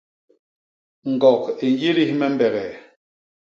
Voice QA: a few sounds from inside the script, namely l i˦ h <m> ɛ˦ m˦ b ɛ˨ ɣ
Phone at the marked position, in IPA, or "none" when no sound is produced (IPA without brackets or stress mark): m